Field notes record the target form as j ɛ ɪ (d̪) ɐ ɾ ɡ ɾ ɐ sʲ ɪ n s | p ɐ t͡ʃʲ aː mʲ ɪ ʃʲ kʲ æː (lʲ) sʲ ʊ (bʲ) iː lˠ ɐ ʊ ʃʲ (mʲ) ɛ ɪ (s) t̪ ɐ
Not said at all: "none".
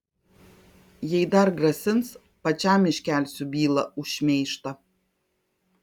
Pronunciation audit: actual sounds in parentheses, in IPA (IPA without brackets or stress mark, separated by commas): d̪, lʲ, bʲ, mʲ, ʃ